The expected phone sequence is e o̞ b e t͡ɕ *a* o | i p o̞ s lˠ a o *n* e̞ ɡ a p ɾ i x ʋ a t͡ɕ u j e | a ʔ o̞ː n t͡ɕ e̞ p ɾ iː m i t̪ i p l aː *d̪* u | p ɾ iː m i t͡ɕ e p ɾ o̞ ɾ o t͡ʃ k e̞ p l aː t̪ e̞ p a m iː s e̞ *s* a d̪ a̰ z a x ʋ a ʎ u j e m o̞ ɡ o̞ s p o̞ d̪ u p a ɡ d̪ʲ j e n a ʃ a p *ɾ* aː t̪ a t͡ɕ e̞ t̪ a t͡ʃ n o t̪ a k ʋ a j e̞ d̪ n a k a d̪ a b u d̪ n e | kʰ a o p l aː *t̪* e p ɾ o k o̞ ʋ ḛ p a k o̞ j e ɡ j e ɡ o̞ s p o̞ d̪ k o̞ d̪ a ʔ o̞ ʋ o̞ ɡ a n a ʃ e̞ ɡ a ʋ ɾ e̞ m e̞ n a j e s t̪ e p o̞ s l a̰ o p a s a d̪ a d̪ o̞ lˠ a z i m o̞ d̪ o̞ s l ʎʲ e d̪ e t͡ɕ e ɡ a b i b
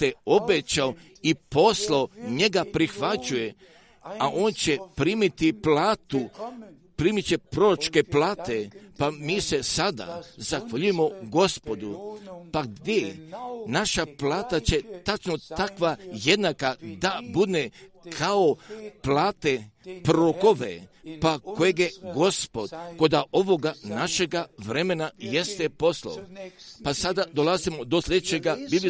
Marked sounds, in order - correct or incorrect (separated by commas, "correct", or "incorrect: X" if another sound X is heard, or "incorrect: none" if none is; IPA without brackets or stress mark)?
correct, incorrect: ɲ, incorrect: t̪, correct, incorrect: l, correct